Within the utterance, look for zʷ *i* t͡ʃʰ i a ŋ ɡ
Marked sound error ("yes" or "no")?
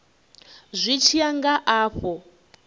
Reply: no